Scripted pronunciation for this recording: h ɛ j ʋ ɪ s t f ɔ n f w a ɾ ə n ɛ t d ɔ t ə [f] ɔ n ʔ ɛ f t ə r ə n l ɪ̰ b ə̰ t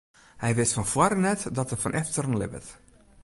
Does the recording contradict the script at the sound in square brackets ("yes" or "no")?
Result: no